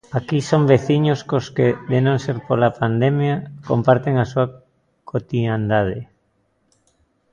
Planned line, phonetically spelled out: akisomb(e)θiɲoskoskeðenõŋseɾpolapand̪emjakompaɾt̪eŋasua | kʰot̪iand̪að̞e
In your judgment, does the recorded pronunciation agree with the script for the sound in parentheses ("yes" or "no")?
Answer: yes